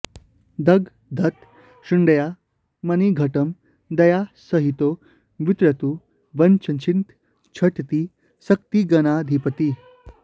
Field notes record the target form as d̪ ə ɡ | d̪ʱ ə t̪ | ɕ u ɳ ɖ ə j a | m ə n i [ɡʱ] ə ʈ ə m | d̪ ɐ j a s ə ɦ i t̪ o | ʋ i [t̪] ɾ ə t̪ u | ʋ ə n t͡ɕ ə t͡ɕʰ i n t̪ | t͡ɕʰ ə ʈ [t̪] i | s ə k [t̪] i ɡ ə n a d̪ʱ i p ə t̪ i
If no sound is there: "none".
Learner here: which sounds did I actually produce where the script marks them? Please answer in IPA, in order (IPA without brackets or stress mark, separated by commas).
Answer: ɡʱ, t̪, t̪, t̪